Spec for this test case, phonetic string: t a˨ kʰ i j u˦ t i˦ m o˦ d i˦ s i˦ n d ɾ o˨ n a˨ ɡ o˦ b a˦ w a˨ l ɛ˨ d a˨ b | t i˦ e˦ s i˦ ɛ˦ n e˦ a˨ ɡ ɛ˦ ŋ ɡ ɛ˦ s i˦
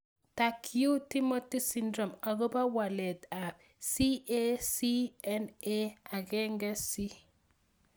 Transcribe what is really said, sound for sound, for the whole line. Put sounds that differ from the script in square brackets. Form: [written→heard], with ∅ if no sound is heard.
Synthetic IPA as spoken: t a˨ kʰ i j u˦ t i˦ m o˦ [d→t] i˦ s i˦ n d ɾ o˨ [n→m] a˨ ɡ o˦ b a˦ w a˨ l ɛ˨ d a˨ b | [t→s] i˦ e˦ s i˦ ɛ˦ n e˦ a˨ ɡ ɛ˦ ŋ ɡ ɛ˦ s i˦